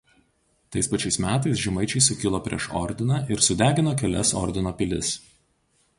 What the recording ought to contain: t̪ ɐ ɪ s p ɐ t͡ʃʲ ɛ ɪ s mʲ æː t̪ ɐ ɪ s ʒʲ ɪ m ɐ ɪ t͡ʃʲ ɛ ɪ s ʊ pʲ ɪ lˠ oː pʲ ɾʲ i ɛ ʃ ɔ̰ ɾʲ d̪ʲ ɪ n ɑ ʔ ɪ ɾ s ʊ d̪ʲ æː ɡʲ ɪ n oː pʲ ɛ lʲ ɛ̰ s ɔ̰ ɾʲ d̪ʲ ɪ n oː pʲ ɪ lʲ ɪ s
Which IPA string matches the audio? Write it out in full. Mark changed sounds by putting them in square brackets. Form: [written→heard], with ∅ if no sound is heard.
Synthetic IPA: t̪ ɐ ɪ s p ɐ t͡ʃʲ ɛ ɪ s mʲ æː t̪ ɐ ɪ s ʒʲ ɪ m ɐ ɪ t͡ʃʲ ɛ ɪ s ʊ [pʲ→kʲ] ɪ lˠ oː pʲ ɾʲ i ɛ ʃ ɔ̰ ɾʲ d̪ʲ ɪ n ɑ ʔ ɪ ɾ s ʊ d̪ʲ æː ɡʲ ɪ n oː [pʲ→kʲ] ɛ lʲ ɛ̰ s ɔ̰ ɾʲ d̪ʲ ɪ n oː pʲ ɪ lʲ ɪ s